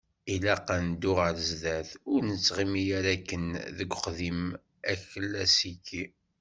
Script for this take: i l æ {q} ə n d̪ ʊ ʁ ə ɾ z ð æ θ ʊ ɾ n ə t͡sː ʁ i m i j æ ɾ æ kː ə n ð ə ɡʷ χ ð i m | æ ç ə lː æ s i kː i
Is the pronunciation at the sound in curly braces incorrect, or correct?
correct